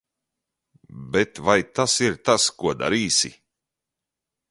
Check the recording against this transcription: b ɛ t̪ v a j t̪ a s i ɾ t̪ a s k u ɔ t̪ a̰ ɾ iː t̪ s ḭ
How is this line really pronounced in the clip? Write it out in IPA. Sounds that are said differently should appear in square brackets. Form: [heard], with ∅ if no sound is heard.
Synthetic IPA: b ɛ t̪ v a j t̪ a s i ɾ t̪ a s k u ɔ [d̪] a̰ ɾ iː [∅] s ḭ